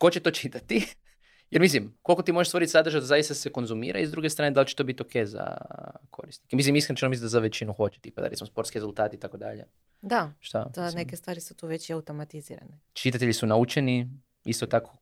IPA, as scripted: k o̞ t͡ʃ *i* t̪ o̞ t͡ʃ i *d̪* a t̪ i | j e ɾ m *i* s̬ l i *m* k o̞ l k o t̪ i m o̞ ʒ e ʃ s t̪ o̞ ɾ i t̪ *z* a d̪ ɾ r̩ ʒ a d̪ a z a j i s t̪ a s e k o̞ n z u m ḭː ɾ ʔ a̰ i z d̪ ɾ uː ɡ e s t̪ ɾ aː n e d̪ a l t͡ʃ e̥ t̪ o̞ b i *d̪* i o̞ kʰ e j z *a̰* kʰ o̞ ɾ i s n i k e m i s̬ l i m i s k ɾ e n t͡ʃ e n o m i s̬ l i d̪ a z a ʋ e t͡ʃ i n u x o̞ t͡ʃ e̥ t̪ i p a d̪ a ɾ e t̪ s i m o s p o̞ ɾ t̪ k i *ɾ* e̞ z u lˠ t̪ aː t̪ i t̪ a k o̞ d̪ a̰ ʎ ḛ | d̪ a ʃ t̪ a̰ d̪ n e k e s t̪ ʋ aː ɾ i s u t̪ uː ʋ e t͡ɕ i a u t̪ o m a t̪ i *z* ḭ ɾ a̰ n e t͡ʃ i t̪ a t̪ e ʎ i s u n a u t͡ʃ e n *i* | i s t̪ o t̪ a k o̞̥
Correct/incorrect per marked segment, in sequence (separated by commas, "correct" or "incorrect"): incorrect, incorrect, correct, correct, incorrect, incorrect, correct, correct, correct, correct